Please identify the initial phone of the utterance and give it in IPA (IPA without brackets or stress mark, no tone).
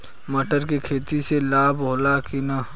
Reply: m